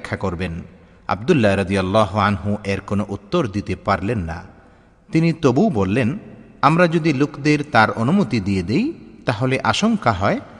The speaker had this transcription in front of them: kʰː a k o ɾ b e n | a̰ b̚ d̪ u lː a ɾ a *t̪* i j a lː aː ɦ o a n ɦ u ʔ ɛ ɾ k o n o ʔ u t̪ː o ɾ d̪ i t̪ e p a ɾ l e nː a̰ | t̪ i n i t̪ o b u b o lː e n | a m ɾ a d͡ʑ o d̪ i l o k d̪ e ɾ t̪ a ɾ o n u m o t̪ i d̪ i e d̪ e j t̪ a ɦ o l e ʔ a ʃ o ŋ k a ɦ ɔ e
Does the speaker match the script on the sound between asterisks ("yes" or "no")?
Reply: no